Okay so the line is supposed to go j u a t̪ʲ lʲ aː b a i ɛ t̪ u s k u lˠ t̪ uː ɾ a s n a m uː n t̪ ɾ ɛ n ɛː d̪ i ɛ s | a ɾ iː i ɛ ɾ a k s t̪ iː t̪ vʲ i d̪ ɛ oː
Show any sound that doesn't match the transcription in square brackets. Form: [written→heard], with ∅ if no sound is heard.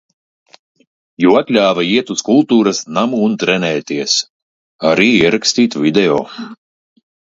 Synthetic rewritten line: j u a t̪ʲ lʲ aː [b→v] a i ɛ t̪ u s k u lˠ t̪ uː ɾ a s n a m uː n t̪ ɾ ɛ n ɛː [d̪→t̪] i ɛ s | a ɾ iː i ɛ ɾ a k s t̪ iː t̪ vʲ i d̪ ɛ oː